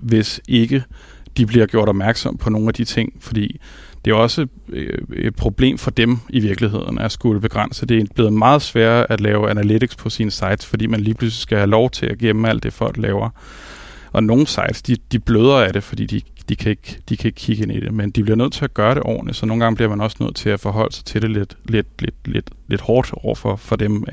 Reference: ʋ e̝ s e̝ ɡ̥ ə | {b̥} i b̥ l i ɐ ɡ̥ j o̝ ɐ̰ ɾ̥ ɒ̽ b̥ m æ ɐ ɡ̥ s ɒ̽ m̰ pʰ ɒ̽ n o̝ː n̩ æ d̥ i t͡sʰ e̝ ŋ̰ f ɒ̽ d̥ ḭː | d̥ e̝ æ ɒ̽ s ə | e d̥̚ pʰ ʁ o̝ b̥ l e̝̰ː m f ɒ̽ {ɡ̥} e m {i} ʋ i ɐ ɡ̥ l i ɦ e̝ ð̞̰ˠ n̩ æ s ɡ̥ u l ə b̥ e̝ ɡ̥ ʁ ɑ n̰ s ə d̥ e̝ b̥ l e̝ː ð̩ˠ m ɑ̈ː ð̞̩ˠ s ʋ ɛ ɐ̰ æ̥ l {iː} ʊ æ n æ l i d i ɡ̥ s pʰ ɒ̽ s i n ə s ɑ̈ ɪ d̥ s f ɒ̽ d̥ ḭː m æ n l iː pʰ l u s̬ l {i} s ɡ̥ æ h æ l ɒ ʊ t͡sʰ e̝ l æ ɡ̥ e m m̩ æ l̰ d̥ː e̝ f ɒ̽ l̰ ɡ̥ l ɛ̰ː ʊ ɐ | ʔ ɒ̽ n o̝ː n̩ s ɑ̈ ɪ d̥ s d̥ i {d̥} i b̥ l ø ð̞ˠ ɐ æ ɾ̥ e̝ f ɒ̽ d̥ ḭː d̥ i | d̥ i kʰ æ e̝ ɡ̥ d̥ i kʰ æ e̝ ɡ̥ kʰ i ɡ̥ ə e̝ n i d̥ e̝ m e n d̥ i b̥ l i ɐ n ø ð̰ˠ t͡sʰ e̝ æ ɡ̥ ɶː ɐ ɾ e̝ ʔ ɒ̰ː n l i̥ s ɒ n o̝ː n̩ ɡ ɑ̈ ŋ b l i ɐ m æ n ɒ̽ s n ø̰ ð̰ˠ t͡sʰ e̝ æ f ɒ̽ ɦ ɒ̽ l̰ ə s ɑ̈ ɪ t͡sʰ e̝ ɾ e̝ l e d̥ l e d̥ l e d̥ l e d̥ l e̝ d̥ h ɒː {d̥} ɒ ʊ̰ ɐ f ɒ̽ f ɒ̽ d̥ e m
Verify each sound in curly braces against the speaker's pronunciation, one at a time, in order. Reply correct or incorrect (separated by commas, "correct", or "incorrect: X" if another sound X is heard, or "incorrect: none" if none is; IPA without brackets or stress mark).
incorrect: d̥, incorrect: d̥, correct, incorrect: ɛː, correct, correct, correct